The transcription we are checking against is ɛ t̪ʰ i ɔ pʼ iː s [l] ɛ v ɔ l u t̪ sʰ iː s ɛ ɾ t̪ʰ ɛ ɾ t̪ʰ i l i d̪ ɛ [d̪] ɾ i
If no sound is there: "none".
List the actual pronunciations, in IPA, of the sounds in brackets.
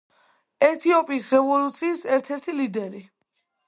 ɾ, none

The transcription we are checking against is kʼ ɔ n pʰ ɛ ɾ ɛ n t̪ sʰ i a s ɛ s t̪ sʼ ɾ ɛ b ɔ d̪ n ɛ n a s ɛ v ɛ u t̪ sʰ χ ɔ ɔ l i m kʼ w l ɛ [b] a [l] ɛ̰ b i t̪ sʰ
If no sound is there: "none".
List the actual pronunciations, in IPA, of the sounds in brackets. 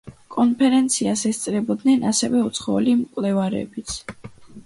v, ɾ

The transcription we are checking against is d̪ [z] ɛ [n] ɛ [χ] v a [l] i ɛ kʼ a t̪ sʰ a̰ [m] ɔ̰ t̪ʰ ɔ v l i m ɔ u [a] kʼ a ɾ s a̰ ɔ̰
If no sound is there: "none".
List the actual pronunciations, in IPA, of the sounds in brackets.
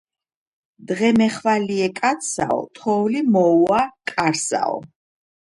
ʁ, m, χ, l, none, a

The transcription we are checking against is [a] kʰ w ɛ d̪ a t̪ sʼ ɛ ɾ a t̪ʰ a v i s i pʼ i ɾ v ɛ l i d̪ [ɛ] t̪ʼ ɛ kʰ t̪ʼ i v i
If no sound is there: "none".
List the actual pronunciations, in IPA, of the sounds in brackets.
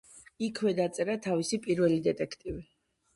i, ɛ

